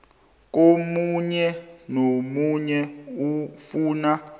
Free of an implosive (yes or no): yes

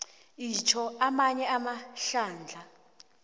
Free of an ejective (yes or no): yes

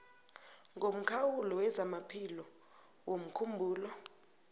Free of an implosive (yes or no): yes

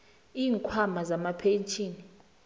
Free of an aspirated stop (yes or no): no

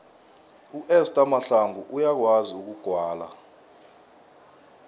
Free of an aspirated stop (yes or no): yes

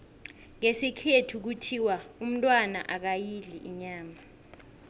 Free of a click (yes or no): yes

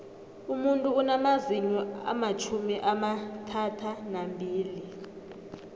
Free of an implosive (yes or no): yes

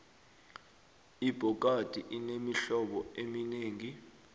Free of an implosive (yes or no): no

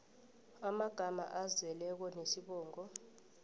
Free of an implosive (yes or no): no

